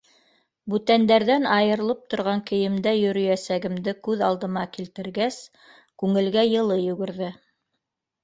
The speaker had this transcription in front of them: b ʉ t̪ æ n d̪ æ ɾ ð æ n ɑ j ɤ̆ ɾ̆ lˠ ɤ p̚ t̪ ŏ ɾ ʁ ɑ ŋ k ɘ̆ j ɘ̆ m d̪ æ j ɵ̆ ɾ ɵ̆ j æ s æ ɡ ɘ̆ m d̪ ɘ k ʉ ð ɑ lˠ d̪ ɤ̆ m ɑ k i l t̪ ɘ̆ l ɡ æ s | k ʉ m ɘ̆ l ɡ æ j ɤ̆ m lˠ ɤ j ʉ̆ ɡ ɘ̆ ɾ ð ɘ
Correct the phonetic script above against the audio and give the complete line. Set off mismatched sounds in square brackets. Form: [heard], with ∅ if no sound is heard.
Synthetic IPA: b ʉ t̪ æ n d̪ æ ɾ ð æ n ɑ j ɤ̆ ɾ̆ lˠ ɤ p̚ t̪ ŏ ɾ ʁ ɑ ŋ k ɘ̆ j ɘ̆ m d̪ æ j ɵ̆ ɾ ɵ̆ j æ s æ ɡ ɘ̆ m d̪ ɘ k ʉ ð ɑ lˠ d̪ ɤ̆ m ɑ k i l t̪ ɘ̆ [ɾ] ɡ æ s | k ʉ [ŋ] ɘ̆ l ɡ æ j ɤ̆ [∅] lˠ ɤ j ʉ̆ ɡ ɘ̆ ɾ ð ɘ